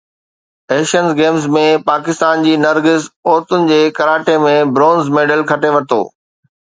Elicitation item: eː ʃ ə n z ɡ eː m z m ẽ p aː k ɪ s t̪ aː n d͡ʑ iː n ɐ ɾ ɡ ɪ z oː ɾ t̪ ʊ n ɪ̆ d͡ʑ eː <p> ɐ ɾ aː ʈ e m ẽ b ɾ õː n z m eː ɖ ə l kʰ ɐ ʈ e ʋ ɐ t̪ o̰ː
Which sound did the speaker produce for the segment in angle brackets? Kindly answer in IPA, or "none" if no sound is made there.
k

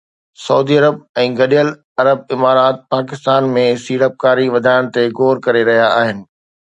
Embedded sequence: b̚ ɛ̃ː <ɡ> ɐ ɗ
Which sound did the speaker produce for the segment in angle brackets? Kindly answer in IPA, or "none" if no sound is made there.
ɡ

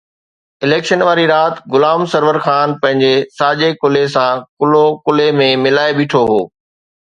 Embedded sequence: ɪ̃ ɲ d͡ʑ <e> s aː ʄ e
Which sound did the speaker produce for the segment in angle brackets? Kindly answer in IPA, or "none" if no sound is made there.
e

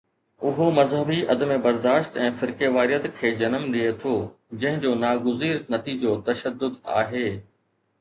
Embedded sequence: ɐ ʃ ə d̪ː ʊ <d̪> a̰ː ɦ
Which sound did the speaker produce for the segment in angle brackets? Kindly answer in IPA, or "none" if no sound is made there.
d̪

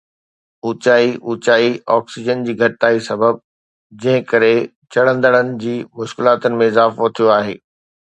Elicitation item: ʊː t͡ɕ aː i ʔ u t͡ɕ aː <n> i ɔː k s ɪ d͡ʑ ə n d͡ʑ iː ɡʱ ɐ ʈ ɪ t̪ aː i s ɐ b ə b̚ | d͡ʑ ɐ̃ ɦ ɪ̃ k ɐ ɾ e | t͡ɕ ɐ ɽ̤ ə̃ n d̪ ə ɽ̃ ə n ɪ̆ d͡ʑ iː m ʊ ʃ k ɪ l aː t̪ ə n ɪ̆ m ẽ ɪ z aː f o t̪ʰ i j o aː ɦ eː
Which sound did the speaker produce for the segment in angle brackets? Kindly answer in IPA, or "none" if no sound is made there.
none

